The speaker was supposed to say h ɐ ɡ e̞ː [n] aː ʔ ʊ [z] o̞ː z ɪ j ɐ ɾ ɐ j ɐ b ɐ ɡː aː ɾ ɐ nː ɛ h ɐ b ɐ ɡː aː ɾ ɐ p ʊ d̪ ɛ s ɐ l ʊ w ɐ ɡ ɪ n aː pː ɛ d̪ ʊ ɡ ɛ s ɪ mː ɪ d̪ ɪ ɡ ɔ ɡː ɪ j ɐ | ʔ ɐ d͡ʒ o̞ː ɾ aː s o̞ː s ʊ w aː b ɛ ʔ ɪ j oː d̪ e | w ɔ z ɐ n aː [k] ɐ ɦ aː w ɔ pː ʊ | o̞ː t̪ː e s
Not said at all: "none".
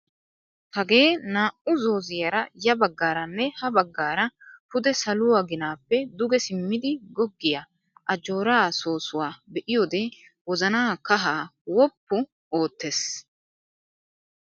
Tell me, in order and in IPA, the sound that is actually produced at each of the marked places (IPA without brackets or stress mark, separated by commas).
n, z, k